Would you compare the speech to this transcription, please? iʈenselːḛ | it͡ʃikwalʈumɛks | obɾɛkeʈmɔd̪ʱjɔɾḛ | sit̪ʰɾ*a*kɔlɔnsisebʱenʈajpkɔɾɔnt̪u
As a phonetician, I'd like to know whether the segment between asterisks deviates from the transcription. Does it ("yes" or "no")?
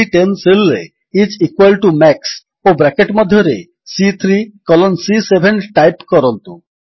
yes